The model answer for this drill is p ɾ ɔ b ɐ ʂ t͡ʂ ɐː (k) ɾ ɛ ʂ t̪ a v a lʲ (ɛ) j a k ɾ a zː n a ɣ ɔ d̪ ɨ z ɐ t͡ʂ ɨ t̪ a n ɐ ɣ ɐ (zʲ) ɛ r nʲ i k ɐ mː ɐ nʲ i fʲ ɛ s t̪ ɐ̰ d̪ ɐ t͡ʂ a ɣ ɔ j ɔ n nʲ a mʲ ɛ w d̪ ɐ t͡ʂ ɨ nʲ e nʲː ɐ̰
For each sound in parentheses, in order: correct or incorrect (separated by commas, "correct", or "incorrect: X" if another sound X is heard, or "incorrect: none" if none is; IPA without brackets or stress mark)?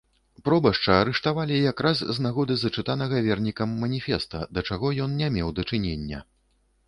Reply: incorrect: none, incorrect: i, incorrect: vʲ